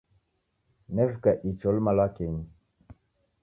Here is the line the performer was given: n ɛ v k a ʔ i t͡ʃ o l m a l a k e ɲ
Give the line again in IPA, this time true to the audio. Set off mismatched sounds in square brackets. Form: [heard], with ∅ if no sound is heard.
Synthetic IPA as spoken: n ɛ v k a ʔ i t͡ʃ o l m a l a k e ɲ